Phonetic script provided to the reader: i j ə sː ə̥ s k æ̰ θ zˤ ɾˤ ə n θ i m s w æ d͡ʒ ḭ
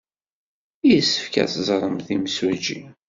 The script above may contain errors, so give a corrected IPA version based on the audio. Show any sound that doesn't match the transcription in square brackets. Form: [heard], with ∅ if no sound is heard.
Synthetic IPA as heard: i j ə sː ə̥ [f] k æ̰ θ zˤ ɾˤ ə [m] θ i m s w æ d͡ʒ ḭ